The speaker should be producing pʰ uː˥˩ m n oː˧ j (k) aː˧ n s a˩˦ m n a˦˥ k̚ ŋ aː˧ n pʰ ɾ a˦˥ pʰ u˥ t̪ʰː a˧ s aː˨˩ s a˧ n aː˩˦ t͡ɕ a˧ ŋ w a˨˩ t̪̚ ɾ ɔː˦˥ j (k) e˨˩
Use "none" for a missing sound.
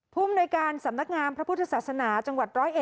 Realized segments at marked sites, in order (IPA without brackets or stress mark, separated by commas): k, ʔ